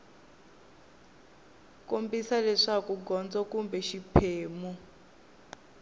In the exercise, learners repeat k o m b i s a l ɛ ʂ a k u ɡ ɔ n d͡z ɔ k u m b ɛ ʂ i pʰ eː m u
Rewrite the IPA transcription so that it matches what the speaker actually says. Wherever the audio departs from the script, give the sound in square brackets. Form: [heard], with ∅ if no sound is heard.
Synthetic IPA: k o m b i s a l ɛ ʂ a k u ɡ ɔ n d͡z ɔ k u m b ɛ [ʃ] i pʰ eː m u